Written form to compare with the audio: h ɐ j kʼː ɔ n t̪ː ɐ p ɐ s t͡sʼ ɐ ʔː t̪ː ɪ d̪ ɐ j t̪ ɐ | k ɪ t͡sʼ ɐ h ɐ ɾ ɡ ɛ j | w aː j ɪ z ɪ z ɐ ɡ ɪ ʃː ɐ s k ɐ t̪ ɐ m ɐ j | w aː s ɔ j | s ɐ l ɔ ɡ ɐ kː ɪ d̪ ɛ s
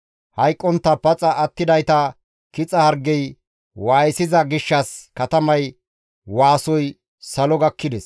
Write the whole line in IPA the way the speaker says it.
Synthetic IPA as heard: h ɐ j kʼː ɔ n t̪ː ɐ p ɐ t͡sʼ ɐ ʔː t̪ː ɪ d̪ ɐ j t̪ ɐ | k ɪ t͡sʼ ɐ h ɐ ɾ ɡ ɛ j | w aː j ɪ s ɪ z ɐ ɡ ɪ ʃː ɐ s k ɐ t̪ ɐ m ɐ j | w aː s ɔ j | s ɐ l ɔ ɡ ɐ kː ɪ d̪ ɛ s